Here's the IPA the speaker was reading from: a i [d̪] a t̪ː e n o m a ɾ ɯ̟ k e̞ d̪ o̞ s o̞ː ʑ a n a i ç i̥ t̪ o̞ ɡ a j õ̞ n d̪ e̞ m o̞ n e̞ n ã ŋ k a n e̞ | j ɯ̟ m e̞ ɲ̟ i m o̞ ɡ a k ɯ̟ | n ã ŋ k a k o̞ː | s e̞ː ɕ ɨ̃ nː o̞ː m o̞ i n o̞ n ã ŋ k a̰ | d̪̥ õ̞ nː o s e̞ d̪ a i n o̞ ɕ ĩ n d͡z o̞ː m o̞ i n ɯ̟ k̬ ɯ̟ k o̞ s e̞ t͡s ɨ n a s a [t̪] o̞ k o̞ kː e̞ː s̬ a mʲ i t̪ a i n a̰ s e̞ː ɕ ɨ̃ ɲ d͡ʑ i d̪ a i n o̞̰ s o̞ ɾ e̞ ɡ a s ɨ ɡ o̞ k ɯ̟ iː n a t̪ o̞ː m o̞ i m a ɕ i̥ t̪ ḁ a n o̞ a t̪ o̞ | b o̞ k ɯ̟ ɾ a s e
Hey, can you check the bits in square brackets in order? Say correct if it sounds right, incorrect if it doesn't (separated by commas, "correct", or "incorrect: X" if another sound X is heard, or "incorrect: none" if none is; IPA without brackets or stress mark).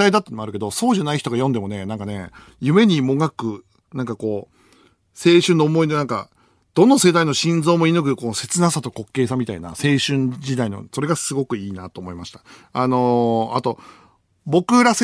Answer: correct, correct